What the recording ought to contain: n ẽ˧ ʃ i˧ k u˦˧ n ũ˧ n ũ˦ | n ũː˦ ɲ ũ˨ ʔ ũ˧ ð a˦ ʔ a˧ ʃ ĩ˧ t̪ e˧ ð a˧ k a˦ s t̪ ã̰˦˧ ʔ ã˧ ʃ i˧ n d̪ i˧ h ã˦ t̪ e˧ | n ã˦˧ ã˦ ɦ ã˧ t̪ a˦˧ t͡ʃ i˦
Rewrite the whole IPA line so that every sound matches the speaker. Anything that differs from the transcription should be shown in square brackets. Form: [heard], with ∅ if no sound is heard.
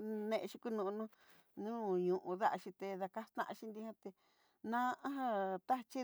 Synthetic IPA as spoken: n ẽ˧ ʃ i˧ k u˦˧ n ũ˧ n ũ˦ | n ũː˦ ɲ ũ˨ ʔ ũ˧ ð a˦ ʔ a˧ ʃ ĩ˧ t̪ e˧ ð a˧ k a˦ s t̪ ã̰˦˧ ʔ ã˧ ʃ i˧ n d̪ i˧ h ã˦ t̪ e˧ | n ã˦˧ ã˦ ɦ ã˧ t̪ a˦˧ t͡ʃ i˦